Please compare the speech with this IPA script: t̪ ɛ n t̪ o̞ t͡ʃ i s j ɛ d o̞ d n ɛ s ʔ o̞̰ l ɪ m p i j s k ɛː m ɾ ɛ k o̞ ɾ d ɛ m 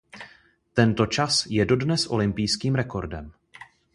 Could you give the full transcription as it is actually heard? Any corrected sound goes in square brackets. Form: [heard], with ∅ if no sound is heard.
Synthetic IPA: t̪ ɛ n t̪ o̞ t͡ʃ [a] s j ɛ d o̞ d n ɛ s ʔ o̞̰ l ɪ m p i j s k [iː] m ɾ ɛ k o̞ ɾ d ɛ m